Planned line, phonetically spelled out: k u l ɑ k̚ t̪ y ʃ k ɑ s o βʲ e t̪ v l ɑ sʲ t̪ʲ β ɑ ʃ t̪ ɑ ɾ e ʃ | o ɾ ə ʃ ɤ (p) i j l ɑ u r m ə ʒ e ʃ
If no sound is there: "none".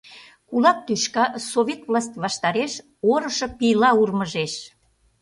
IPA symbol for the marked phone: p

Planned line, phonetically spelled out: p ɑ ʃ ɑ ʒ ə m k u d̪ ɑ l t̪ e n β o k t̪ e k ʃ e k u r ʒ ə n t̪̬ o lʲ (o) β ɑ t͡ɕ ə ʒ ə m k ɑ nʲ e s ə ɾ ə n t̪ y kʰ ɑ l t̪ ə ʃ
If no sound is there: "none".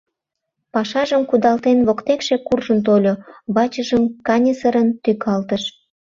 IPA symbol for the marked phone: o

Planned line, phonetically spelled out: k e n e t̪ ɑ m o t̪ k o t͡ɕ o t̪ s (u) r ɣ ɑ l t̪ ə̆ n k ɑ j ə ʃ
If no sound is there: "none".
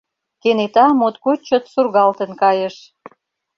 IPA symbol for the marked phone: u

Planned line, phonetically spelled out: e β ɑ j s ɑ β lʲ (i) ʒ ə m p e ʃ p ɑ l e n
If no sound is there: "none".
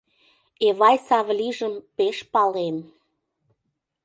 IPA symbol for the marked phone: i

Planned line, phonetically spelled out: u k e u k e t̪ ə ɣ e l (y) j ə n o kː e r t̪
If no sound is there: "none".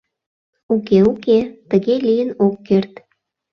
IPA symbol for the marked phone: i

